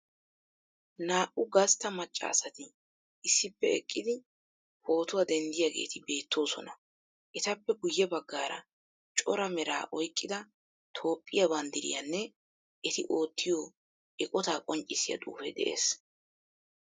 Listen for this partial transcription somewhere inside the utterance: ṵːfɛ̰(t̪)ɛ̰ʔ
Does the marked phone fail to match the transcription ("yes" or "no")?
yes